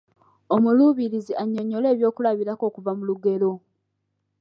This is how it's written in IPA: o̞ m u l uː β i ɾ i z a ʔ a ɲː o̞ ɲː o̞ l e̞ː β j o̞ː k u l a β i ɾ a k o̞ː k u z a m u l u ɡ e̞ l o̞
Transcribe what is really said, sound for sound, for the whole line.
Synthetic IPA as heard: o̞ m u l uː β i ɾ i z i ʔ a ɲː o̞ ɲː o̞ l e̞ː β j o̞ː k u l a β i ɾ a k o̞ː k u v a m u l u ɡ e̞ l o̞